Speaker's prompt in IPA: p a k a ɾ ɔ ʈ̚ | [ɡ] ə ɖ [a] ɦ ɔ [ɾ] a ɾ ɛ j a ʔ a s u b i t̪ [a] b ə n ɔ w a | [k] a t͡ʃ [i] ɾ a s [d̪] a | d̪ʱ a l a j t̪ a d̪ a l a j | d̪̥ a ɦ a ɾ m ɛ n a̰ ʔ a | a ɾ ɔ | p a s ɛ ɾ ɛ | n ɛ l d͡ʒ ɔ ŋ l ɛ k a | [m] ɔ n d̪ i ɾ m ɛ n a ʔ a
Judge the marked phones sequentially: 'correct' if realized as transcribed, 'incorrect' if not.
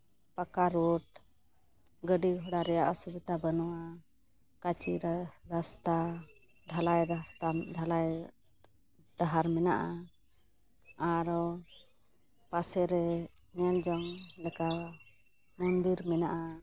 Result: correct, incorrect, incorrect, correct, correct, correct, incorrect, correct

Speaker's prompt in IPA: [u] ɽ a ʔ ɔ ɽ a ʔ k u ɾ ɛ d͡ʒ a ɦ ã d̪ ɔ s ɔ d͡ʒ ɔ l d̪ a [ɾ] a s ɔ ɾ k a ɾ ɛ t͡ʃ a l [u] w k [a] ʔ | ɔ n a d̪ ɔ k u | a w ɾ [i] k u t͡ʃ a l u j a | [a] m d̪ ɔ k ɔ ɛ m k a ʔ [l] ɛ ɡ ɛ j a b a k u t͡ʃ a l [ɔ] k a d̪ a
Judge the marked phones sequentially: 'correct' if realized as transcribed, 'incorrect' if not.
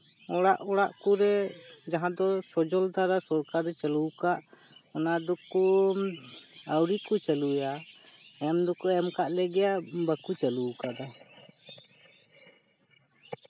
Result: incorrect, correct, correct, correct, correct, incorrect, correct, incorrect

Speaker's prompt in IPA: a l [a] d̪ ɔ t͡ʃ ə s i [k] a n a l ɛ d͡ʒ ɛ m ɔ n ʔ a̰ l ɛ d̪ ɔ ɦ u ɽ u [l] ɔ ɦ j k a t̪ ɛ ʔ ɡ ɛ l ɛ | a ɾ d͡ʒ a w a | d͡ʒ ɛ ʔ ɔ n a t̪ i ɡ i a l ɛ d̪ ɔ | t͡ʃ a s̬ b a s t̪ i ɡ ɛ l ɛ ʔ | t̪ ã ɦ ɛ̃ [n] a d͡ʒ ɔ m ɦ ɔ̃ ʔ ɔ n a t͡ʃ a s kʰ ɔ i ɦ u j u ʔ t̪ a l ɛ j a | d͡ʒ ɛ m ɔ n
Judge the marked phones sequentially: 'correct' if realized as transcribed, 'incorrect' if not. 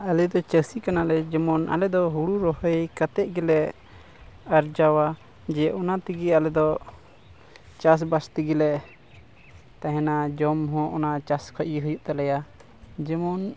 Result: incorrect, correct, incorrect, correct

